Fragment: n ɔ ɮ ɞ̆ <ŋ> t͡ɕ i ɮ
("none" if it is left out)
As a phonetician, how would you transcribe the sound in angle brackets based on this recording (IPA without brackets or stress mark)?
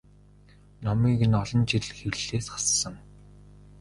n